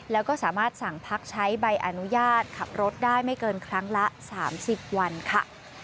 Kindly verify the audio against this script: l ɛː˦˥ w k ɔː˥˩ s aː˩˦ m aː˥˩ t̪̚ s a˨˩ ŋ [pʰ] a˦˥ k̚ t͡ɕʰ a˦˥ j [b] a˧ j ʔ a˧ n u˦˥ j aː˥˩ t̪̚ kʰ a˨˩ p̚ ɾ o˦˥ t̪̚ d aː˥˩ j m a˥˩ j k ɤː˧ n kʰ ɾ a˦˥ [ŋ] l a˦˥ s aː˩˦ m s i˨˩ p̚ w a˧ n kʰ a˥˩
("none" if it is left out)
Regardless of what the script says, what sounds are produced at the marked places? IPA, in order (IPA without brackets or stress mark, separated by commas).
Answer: pʰ, b, ŋ